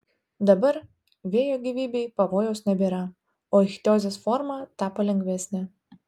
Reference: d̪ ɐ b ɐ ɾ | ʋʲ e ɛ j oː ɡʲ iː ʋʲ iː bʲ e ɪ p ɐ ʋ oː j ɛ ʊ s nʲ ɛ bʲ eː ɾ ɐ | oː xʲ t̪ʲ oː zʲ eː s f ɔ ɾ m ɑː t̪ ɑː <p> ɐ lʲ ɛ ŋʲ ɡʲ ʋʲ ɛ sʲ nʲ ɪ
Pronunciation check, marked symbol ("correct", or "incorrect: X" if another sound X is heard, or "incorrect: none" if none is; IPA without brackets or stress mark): correct